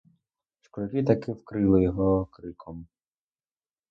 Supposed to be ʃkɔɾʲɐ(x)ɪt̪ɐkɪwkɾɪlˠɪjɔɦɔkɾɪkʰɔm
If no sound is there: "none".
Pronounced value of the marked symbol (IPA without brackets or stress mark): k